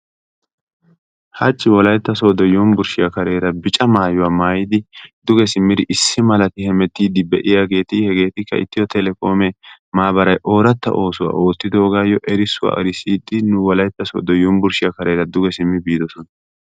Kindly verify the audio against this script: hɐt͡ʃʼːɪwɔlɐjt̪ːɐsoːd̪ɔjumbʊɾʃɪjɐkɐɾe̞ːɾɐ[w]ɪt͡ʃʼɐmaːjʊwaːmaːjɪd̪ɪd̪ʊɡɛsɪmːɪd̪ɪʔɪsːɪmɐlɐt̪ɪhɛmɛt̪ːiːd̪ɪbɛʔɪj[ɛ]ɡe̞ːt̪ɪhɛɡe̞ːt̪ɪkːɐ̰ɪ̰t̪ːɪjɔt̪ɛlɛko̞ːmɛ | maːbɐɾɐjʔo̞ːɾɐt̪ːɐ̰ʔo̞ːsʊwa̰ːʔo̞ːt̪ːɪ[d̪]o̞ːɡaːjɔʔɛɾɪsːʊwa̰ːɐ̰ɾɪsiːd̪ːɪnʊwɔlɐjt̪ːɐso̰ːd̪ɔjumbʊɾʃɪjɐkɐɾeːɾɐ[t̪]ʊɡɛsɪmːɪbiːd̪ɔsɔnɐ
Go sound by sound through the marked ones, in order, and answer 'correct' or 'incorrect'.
incorrect: b, incorrect: a, correct, incorrect: d̪

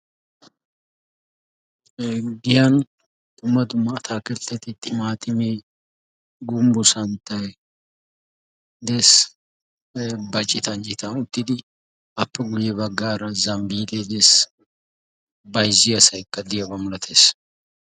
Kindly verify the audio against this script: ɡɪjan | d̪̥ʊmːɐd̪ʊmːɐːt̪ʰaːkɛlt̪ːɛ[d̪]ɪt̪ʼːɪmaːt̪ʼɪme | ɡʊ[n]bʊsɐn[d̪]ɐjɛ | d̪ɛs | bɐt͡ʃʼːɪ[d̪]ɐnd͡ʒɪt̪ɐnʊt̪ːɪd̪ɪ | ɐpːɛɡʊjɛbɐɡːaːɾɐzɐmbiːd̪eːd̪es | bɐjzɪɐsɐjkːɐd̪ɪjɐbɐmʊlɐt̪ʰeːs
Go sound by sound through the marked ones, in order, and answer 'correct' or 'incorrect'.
incorrect: t̪, incorrect: m, incorrect: t̪, incorrect: t̪

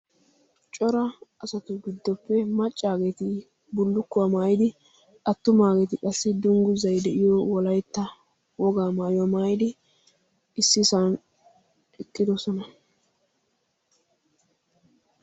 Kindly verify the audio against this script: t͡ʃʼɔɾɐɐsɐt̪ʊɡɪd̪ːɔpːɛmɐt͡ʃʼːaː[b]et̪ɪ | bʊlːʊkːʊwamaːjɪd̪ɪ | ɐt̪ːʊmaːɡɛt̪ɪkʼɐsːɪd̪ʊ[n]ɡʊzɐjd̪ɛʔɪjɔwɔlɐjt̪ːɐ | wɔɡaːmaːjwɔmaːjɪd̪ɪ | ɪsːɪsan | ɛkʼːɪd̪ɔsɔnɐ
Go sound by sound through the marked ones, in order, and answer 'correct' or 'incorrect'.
incorrect: ɡ, incorrect: ŋ

